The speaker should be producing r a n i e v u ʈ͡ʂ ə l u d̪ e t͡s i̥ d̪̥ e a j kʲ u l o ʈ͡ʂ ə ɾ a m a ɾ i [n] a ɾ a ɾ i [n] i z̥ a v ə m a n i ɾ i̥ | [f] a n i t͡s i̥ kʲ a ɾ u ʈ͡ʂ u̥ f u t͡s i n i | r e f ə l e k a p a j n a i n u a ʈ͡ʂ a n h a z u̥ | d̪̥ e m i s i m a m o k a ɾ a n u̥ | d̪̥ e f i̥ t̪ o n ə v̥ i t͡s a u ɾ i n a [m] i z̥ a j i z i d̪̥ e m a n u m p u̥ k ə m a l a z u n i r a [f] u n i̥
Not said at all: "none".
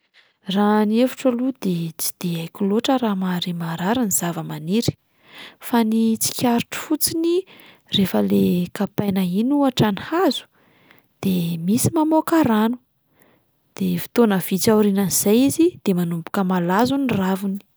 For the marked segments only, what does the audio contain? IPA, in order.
m, n, f, n, v

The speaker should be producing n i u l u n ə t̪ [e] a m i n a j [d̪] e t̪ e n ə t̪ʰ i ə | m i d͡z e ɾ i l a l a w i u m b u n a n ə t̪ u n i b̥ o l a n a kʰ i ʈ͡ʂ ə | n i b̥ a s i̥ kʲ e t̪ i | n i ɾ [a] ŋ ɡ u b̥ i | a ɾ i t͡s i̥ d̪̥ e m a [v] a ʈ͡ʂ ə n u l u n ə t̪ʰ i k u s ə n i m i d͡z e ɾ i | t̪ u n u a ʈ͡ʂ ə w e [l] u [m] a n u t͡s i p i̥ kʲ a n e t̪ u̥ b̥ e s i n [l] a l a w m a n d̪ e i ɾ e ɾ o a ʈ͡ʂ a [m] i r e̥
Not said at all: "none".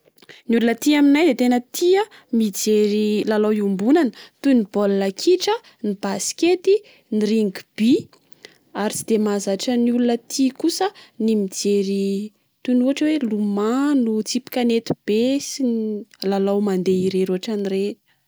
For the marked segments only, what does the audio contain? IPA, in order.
i, d̪, i, z, l, m, l, n

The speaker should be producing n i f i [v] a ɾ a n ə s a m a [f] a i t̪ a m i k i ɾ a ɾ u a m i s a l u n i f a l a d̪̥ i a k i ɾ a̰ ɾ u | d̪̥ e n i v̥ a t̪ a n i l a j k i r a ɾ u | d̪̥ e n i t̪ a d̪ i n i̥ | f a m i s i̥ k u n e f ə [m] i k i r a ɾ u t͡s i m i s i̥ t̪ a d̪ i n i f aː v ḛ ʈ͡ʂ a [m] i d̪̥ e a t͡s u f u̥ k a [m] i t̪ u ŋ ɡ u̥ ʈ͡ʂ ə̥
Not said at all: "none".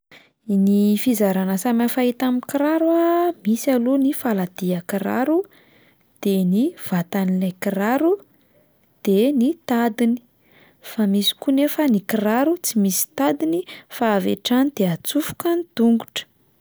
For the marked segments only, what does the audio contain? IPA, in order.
z, f, n, n, n

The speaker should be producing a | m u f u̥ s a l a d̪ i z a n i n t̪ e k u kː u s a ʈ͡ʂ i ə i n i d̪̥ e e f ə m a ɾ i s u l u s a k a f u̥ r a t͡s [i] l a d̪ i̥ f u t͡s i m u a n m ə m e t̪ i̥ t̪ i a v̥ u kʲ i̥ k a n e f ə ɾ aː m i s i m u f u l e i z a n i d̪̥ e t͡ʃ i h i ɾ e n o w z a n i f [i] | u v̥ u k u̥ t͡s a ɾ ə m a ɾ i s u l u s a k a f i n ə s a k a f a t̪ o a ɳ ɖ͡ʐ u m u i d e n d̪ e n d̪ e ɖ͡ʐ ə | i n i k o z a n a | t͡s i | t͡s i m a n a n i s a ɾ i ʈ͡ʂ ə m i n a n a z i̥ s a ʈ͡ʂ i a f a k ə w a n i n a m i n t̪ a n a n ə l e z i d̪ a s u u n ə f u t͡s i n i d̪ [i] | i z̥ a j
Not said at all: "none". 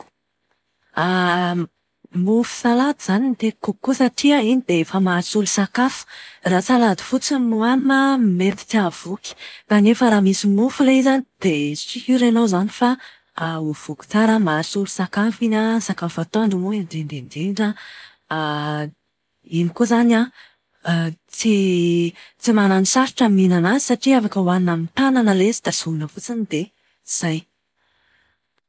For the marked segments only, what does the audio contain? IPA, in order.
a, a, e

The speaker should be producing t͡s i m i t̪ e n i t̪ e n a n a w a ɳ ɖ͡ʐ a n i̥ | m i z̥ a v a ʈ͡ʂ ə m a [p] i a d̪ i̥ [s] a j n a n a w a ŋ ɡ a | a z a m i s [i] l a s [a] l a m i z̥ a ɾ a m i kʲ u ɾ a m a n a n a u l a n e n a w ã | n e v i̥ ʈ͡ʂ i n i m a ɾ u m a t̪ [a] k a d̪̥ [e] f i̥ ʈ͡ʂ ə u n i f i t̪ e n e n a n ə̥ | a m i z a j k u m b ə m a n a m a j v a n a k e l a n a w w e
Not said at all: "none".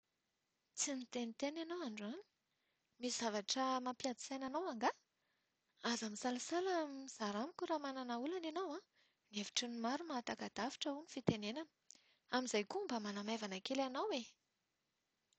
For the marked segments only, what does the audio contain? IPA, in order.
p, s, a, a, a, a

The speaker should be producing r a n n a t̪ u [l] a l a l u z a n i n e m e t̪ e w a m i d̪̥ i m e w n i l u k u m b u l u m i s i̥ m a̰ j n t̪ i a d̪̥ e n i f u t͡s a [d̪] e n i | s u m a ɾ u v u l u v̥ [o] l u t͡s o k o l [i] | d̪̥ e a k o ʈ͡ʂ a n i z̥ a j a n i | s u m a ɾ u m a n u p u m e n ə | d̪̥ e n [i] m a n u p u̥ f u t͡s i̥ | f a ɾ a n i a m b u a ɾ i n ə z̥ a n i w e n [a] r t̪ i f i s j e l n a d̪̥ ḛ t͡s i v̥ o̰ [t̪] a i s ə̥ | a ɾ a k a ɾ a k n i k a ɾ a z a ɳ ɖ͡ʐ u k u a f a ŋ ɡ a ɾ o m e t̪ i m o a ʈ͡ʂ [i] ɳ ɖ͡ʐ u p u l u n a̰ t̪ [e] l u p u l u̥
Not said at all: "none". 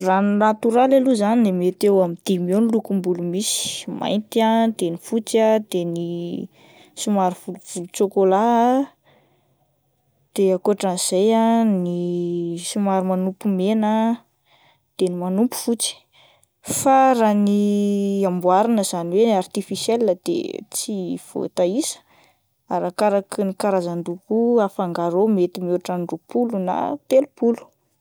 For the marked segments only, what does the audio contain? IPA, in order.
ɾ, d̪, u, a, i, a, t̪, a, e

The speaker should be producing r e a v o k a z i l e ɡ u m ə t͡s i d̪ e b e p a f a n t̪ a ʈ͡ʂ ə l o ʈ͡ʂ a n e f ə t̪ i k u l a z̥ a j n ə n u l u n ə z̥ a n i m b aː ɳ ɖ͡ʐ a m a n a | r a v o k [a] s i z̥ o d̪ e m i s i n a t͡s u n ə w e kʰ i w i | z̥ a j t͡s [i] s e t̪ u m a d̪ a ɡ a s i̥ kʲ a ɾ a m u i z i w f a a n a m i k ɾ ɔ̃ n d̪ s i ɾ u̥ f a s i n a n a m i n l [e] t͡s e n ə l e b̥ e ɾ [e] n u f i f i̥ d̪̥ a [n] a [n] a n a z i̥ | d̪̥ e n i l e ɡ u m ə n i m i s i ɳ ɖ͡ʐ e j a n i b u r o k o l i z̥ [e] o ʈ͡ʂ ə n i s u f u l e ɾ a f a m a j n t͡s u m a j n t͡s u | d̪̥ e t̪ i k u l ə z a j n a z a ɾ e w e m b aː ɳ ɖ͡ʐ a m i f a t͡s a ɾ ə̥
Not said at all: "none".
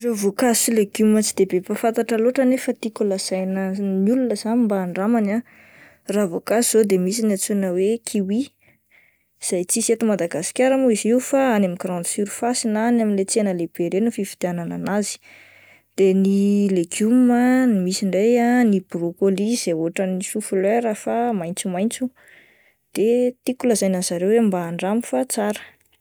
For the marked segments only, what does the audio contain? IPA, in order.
a, i, e, e, n, n, e

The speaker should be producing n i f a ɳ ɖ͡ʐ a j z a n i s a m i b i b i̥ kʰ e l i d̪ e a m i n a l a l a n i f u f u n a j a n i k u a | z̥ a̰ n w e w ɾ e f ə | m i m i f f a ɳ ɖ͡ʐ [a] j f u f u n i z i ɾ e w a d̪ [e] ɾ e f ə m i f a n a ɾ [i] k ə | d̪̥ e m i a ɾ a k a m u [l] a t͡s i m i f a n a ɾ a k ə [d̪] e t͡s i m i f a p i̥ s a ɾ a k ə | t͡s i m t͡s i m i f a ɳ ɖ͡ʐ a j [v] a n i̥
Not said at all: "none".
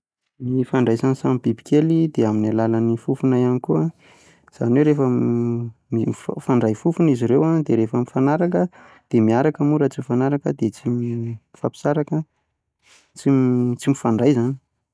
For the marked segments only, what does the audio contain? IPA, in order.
a, e, a, ɾ, d̪, z

